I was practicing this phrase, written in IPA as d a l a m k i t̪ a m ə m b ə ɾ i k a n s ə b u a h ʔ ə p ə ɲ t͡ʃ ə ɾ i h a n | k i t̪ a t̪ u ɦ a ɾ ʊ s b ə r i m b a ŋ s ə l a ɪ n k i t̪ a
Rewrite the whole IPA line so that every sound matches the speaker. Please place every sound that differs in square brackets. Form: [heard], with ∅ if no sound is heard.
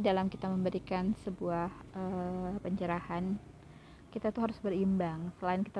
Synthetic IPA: d a l a m k i t̪ a m ə m b ə ɾ i k a n s ə b u a h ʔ ə p ə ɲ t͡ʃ ə ɾ [a] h a n | k i t̪ a t̪ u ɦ a ɾ ʊ s b ə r i m b a ŋ s ə l a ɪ n k i t̪ a